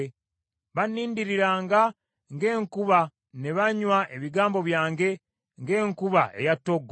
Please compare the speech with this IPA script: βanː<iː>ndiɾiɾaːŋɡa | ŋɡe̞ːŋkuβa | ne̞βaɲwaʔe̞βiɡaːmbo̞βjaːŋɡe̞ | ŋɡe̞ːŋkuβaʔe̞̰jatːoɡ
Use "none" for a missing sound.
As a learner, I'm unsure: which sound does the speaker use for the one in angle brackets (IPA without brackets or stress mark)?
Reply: iː